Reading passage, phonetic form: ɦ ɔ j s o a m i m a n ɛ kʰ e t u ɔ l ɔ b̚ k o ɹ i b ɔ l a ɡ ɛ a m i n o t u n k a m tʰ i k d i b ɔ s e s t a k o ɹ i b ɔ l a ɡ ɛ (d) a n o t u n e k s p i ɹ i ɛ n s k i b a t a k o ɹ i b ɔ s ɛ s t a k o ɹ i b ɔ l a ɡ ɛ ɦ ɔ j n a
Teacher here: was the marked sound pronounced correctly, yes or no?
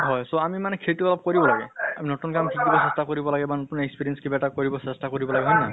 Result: no